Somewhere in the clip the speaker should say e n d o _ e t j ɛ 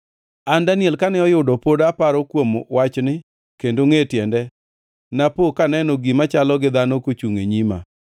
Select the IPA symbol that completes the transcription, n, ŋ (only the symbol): ŋ